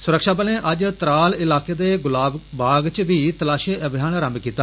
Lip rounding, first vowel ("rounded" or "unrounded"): rounded